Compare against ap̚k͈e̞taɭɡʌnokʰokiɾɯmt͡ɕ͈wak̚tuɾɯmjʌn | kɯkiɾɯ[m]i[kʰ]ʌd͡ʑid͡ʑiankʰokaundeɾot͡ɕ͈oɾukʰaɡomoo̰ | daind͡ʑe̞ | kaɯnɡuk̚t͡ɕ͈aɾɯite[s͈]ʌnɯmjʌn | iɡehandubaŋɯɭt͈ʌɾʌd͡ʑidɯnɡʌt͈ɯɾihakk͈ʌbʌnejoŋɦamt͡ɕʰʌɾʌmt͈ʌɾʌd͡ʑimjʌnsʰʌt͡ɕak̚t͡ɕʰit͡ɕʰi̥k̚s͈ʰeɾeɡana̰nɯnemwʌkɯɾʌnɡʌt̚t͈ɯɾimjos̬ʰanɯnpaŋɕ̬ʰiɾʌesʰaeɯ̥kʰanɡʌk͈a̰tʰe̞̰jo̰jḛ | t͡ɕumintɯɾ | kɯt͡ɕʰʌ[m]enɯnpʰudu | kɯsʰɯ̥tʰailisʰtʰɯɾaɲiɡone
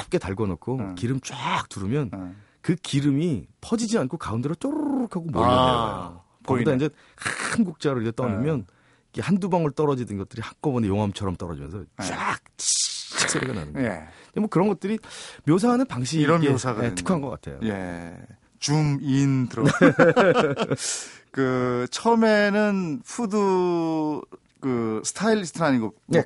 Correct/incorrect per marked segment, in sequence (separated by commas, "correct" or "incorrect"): correct, incorrect, incorrect, correct